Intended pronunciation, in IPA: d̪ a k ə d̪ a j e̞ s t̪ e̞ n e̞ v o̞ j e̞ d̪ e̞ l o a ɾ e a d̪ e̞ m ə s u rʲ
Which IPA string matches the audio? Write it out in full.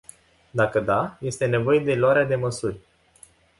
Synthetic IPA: d̪ a k ə d̪ a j e̞ s t̪ e̞ n e̞ v o̞ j e̞ d̪ e̞ l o a ɾ e a d̪ e̞ m ə s u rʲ

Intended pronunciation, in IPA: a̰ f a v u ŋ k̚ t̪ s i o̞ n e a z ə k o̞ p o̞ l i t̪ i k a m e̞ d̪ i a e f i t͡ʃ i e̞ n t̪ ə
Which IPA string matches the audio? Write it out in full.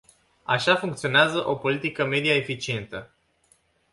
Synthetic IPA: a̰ ʃ a f u ŋ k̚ t̪ s i o̞ n e a z ə ʔ o̞ p o̞ l i t̪ i k ə m e̞ d̪ i a e f i t͡ʃ i e̞ n t̪ ə

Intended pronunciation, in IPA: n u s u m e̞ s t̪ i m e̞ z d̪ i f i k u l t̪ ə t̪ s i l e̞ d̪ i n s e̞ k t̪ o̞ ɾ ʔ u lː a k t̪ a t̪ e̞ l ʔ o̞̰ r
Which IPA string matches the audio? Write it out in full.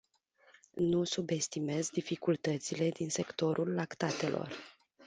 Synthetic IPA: n u s u b e̞ s t̪ i m e̞ z d̪ i f i k u l t̪ ə t̪ s i l e̞ d̪ i n s e̞ k t̪ o̞ ɾ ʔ u lː a k t̪ a t̪ e̞ l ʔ o̞̰ r

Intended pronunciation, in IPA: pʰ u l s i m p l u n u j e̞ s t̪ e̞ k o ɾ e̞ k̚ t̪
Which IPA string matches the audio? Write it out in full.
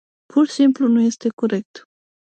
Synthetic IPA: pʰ u r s i m p l u n u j e̞ s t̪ e̞ k o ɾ e̞ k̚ t̪

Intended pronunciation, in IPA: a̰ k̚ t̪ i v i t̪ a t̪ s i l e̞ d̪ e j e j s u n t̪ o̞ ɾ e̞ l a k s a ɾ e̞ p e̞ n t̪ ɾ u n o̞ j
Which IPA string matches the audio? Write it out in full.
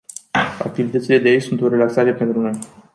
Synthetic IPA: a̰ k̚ t̪ i v i t̪ ə t̪ s i l e̞ d̪ e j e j s u n t̪ o̞ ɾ e̞ l a k s a ɾ e̞ p e̞ n t̪ ɾ u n o̞ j

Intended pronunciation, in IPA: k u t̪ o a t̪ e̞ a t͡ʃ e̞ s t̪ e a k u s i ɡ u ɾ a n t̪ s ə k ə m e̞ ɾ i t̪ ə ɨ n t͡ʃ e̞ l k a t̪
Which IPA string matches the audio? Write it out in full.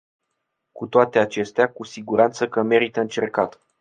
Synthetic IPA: k u t̪ o a t̪ e̞ a t͡ʃ e̞ s t̪ e a k u s i ɡ u ɾ a n t̪ s ə k ə m e̞ ɾ i t̪ ə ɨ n t͡ʃ e̞ r k a t̪

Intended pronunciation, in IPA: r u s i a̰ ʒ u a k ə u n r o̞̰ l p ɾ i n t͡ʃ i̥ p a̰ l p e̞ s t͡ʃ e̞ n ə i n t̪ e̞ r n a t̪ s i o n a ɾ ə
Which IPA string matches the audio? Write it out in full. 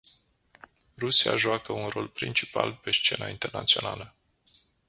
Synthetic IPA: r u s i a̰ ʒ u a k ə u n r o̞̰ l p ɾ i n t͡ʃ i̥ p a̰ l p e̞ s t͡ʃ e̞ n a i n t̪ e̞ r n a t̪ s i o n a l ə

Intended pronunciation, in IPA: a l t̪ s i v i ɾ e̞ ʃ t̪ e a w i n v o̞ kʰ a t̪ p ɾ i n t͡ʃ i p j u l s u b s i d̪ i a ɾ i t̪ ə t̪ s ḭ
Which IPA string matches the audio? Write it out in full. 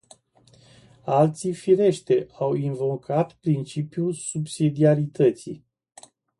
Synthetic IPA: a l t̪ s i f i ɾ e̞ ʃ t̪ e a w i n v o̞ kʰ a t̪ p ɾ i n t͡ʃ i p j u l s u b s i d̪ i a ɾ i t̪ ə t̪ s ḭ

